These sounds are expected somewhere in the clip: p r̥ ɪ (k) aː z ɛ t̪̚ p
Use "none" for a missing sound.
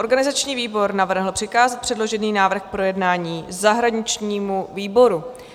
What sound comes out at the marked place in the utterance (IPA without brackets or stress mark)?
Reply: k